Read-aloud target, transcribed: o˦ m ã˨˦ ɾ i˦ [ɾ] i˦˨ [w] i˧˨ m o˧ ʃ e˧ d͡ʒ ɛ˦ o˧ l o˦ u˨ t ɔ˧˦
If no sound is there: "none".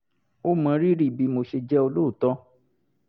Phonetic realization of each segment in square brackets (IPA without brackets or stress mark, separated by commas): ɾ, b